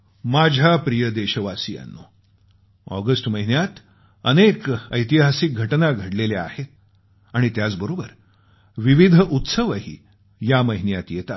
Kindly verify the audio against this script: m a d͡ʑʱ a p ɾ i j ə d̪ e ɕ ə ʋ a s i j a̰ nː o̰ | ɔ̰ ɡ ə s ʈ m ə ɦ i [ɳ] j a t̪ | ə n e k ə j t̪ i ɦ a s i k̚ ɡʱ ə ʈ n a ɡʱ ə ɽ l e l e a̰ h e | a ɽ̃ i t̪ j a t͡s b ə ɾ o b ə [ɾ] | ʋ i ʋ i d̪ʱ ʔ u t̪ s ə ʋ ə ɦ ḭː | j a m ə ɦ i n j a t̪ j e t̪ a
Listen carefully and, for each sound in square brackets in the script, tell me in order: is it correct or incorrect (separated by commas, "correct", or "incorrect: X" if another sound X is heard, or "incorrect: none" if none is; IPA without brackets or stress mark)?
incorrect: n, correct